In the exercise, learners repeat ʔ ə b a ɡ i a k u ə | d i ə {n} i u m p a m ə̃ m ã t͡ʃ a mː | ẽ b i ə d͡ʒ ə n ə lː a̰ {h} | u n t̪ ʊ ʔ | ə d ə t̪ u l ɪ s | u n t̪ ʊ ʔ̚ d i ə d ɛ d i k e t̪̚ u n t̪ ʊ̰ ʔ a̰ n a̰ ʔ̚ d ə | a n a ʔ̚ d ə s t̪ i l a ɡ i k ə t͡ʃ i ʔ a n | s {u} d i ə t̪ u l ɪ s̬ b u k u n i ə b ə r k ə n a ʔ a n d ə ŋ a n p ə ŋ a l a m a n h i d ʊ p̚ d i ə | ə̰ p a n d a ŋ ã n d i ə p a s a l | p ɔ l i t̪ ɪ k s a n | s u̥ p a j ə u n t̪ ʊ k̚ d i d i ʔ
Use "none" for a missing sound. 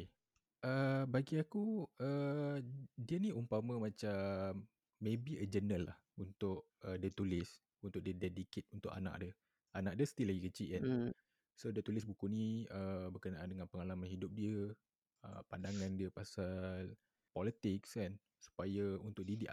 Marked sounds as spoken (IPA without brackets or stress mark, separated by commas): n, h, o